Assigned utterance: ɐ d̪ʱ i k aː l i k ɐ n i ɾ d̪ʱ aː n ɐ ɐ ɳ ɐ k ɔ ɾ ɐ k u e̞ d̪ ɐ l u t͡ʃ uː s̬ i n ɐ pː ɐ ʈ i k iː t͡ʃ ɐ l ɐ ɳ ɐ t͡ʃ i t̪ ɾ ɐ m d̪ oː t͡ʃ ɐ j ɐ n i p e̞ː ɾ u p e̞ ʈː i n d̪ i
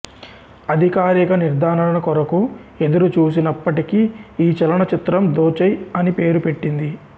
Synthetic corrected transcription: ɐ d̪ʱ i k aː ɾ i k ɐ n i ɾ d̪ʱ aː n ɐ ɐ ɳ ɐ k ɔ ɾ ɐ k u e̞ d̪ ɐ ɾ u t͡ʃ uː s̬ i n ɐ pː ɐ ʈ i k iː t͡ʃ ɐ l ɐ ɳ ɐ t͡ʃ i t̪ ɾ ɐ m d̪ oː t͡ʃ ɐ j ɐ n i p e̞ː ɾ u p e̞ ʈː i n d̪ i